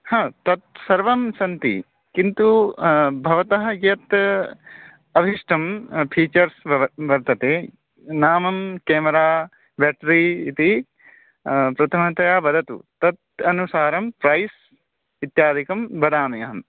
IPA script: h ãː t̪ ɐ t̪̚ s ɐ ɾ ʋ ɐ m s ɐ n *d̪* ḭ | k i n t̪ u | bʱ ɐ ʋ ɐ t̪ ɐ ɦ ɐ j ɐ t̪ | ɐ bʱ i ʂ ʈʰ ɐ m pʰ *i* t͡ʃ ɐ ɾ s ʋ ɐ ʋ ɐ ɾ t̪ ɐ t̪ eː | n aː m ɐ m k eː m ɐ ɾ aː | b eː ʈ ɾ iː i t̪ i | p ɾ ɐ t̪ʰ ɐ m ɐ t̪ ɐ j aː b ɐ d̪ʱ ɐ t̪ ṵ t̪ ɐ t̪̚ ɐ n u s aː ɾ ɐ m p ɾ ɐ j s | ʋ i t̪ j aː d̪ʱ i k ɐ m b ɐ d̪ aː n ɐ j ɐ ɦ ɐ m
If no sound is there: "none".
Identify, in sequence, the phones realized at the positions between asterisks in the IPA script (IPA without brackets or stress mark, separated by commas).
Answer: t̪, iː